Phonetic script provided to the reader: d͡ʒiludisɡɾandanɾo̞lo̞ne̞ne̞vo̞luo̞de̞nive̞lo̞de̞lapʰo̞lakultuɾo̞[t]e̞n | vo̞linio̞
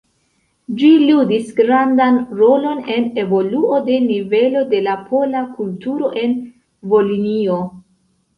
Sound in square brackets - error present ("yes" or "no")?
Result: yes